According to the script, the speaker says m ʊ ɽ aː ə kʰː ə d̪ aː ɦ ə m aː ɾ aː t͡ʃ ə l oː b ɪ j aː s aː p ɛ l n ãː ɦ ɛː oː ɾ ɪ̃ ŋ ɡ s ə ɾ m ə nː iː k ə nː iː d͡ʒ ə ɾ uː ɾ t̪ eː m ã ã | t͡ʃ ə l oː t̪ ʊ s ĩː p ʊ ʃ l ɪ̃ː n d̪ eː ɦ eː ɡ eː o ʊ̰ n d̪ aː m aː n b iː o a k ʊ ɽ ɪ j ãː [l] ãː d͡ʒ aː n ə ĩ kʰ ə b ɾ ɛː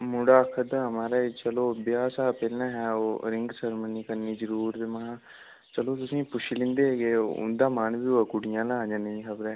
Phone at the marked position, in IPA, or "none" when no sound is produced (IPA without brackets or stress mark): l